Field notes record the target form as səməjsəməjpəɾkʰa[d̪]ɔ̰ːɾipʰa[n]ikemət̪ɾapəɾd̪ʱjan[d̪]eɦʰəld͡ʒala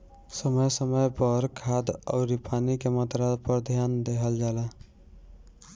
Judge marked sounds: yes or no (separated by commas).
yes, yes, yes